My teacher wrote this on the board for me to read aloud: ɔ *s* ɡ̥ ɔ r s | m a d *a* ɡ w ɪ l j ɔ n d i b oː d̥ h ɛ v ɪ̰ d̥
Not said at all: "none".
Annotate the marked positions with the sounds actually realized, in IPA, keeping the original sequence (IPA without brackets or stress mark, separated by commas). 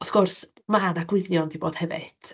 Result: θ, a